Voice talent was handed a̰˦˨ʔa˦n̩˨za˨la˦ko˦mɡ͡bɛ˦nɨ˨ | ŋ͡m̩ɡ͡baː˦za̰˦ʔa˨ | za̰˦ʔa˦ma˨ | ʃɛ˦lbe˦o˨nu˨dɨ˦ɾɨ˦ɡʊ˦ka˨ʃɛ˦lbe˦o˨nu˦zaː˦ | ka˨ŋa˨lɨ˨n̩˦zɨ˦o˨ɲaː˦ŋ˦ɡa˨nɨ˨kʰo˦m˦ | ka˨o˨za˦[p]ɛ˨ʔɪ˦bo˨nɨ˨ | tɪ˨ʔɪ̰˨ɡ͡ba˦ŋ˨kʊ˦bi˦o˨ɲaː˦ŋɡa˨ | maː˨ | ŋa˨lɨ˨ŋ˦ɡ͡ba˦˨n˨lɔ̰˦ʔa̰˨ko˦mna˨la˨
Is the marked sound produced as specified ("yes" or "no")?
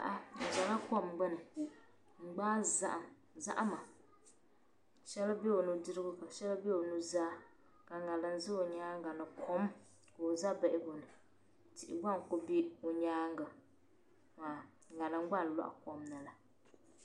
no